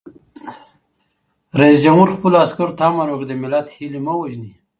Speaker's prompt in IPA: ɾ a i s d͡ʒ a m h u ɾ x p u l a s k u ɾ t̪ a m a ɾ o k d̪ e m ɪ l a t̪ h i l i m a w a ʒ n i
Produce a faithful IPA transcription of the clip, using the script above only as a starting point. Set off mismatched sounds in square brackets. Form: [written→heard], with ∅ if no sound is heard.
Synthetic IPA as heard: ɾ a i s d͡ʒ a m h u ɾ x p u l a s k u ɾ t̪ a m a ɾ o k d̪ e m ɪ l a t̪ h i l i m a w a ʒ n i

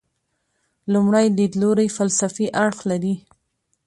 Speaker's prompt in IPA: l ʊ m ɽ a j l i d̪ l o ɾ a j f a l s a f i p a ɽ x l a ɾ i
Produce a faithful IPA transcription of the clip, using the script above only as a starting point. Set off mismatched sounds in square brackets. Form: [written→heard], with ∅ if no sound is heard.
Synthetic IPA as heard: l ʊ m ɽ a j l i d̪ l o ɾ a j f a l s a f i [p→ʔ] a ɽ x l a ɾ i

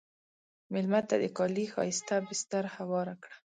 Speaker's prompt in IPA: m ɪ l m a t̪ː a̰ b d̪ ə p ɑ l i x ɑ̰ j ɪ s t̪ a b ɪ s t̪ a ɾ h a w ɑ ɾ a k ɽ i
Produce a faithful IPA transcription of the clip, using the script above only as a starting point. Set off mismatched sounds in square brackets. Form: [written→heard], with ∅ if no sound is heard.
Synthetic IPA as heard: m ɪ l m a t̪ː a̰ [b→∅] d̪ ə [p→k] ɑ l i x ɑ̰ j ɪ s t̪ a b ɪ s t̪ a ɾ h a w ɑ ɾ a k ɽ [i→a]

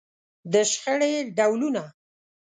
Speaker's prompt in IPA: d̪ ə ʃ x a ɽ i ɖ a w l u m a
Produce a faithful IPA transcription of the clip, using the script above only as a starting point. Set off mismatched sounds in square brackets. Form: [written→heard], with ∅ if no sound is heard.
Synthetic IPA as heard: d̪ ə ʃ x [a→ə] ɽ [i→e] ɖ a w l u [m→n] a

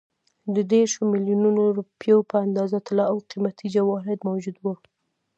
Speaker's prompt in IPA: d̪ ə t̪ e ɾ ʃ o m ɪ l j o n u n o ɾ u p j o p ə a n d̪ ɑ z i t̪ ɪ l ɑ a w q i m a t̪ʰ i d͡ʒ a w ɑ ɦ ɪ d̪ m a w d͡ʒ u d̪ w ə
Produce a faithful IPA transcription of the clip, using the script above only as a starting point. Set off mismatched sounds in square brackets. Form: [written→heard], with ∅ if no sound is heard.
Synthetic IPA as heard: d̪ ə [t̪→d̪] e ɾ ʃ o m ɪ l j [o→u] n u n o ɾ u p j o p ə a n d̪ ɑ z [i→a] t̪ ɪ l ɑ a w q i m a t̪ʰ i d͡ʒ a w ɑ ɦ ɪ d̪ m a w d͡ʒ u d̪ w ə

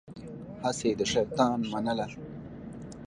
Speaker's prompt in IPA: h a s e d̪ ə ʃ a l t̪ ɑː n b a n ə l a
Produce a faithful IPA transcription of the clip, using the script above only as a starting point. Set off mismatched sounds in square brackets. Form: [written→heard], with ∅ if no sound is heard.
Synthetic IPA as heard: h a s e d̪ ə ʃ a [l→ɾ] t̪ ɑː n [b→m] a n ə l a

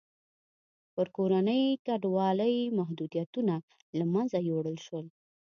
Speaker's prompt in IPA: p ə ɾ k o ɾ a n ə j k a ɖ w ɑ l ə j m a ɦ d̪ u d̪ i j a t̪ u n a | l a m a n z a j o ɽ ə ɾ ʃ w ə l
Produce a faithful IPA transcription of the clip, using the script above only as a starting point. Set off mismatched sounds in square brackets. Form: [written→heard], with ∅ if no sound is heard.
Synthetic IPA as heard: p ə ɾ k o ɾ a n ə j k a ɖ w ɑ l ə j m a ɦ d̪ u d̪ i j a t̪ u n a | l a m a n z a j o ɽ ə [ɾ→l] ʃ w ə l

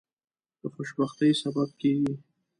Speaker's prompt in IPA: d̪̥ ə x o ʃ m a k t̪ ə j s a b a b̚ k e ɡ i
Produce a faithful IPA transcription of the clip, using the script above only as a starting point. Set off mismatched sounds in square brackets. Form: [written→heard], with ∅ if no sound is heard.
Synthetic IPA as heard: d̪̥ ə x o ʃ [m→b] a [k→x] t̪ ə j s a b a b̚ k e ɡ i

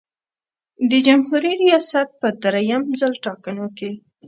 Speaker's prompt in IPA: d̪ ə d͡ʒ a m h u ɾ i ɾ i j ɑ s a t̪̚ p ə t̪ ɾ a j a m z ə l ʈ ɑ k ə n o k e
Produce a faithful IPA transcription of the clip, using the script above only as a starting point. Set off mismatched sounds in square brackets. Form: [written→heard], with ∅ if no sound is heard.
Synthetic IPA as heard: d̪ ə d͡ʒ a m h u ɾ i ɾ i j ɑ s a t̪̚ p ə [t̪→d̪] ɾ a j a m z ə l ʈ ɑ k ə n o k e

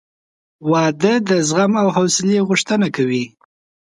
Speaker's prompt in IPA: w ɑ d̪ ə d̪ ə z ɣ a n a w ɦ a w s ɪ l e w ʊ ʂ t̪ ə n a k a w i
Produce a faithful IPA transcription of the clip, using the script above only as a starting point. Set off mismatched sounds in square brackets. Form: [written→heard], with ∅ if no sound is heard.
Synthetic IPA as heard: w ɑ d̪ ə d̪ ə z ɣ a [n→m] a w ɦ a w s ɪ l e [w→ɣ] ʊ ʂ t̪ ə n a k a w i

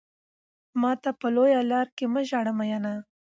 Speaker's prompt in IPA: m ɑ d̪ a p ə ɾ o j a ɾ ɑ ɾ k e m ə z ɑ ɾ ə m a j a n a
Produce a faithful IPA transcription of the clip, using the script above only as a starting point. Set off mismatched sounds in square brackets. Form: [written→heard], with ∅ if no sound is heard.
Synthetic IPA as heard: m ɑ [d̪→t̪] a p ə [ɾ→l] o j a [ɾ→l] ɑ ɾ k e m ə [z→ʒ] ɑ [ɾ→ɽ] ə m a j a n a

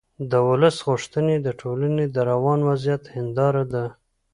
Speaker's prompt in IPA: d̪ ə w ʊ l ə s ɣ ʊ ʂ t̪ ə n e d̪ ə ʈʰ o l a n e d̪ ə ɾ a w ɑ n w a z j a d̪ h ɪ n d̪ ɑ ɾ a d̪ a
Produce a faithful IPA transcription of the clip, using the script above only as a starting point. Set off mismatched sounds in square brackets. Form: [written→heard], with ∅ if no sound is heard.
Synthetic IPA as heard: d̪ ə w ʊ l ə s ɣ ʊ ʂ t̪ ə n e d̪ ə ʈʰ o l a n e d̪ ə ɾ a w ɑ n w a z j a [d̪→t̪] h ɪ n d̪ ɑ ɾ a d̪ a

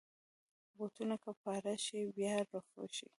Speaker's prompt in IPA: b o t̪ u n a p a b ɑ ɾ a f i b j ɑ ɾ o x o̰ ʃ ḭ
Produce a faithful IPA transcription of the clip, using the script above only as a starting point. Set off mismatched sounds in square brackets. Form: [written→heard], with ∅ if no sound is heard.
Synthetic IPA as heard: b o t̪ u n a [p→k] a [b→p] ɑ ɾ a [f→ʃ] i b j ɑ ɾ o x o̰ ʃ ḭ

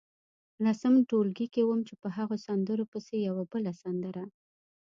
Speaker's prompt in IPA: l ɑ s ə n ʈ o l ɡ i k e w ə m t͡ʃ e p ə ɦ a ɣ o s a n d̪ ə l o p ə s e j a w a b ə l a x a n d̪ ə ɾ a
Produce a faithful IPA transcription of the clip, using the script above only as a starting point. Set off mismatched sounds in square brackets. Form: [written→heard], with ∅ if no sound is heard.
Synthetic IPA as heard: l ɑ s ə [n→m] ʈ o l ɡ i k e w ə m t͡ʃ e p ə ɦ a ɣ o s a n d̪ ə [l→ɾ] o p ə s e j a w a b ə l a [x→s] a n d̪ ə ɾ a

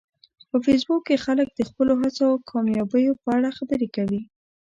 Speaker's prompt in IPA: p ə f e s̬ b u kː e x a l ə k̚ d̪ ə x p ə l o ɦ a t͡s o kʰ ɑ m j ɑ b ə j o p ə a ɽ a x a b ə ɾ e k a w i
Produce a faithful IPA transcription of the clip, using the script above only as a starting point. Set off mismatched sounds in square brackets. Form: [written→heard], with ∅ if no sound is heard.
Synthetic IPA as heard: p ə f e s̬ b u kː e x a l ə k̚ d̪ ə x p ə l o ɦ a t͡s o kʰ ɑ m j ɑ b ə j o p ə a ɽ a x a b ə ɾ e k a w i

